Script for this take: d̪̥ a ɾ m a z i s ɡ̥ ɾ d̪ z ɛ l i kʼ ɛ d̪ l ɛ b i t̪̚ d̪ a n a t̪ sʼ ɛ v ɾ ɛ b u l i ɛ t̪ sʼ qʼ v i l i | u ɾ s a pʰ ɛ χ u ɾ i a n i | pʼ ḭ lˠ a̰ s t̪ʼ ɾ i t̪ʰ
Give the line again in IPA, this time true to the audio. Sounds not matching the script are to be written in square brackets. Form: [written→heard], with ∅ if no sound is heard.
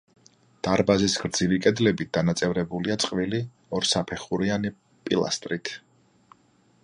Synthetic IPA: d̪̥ a ɾ [m→b] a z i s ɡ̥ ɾ d̪ z [ɛ→i] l i kʼ ɛ d̪ l ɛ b i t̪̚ d̪ a n a t̪ sʼ ɛ v ɾ ɛ b u l i [ɛ→a] t̪ sʼ qʼ v i l i | [u→ɔ] ɾ s a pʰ ɛ χ u ɾ i a n i | pʼ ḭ lˠ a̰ s t̪ʼ ɾ i t̪ʰ